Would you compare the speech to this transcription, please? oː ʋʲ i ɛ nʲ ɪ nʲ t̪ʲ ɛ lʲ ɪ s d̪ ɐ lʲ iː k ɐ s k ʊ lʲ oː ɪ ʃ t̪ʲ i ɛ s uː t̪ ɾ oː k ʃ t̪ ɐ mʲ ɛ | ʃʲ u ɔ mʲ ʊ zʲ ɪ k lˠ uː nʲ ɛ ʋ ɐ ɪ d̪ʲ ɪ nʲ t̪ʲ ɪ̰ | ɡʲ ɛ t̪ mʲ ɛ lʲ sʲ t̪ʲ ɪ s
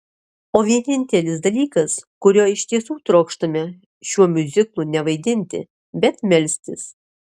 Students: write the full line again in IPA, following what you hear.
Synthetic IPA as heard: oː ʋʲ i ɛ nʲ ɪ nʲ t̪ʲ ɛ lʲ ɪ s d̪ ɐ lʲ iː k ɐ s k ʊ ɾʲ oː ɪ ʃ t̪ʲ i ɛ s uː t̪ ɾ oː k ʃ t̪ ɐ mʲ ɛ | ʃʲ u ɔ mʲ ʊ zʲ ɪ k lˠ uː nʲ ɛ ʋ ɐ ɪ d̪ʲ ɪ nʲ t̪ʲ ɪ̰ | bʲ ɛ t̪ mʲ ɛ lʲ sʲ t̪ʲ ɪ s